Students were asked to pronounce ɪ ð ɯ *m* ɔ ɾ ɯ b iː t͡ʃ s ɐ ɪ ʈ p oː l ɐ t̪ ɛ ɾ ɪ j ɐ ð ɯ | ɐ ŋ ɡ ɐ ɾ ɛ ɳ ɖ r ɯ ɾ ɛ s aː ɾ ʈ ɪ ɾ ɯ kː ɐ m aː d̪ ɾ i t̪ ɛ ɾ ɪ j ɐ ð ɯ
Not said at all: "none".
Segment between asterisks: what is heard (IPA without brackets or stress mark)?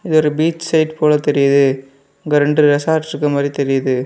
none